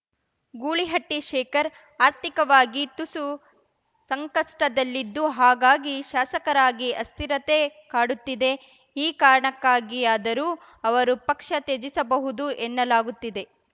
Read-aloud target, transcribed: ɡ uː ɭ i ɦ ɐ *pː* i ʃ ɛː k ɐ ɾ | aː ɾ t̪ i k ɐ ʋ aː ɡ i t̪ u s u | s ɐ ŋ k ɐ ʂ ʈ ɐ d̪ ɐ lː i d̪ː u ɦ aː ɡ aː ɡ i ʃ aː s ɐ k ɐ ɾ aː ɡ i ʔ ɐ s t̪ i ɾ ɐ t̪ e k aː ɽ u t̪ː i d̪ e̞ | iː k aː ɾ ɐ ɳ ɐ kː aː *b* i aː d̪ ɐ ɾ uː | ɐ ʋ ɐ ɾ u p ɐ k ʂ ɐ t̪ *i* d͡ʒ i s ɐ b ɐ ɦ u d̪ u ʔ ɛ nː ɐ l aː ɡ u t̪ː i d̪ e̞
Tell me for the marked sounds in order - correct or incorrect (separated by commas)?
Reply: incorrect, incorrect, incorrect